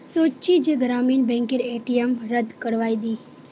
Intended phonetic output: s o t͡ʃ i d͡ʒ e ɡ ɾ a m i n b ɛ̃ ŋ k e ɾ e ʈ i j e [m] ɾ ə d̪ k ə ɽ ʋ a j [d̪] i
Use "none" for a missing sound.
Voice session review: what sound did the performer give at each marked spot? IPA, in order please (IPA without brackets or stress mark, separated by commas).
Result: m, d̪